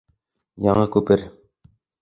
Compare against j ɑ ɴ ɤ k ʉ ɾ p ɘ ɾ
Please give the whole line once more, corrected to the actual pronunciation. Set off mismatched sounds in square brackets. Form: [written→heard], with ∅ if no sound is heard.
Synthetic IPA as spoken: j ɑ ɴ ɤ k ʉ [ɾ→∅] p ɘ ɾ